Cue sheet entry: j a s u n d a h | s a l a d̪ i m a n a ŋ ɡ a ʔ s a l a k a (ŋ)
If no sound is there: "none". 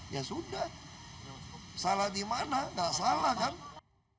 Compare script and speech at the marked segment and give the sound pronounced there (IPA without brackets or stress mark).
n